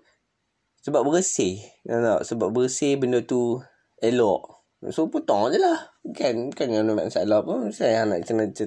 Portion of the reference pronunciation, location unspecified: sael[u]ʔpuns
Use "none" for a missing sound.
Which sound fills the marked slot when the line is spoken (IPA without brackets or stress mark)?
ɔ